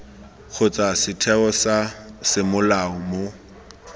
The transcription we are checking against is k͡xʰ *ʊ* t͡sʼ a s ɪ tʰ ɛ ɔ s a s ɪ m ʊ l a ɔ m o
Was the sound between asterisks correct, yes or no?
yes